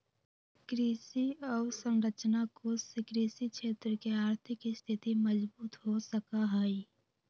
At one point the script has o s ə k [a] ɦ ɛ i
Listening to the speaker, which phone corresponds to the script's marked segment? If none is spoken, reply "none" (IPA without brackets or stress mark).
a